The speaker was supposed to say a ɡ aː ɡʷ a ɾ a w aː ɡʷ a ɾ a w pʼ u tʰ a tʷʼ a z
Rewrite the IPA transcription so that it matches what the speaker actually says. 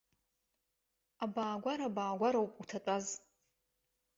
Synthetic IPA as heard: a b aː ɡʷ a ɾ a b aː ɡʷ a ɾ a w pʼ u tʰ a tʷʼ a z